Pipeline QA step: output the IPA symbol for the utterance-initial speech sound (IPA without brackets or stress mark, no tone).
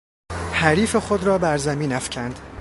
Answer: h